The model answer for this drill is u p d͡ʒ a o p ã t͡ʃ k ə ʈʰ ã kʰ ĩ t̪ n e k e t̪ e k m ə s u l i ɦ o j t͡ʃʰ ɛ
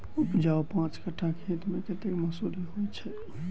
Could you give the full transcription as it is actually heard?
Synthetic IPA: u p d͡ʒ a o p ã t͡ʃ k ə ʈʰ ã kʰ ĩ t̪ m e k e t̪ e k m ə s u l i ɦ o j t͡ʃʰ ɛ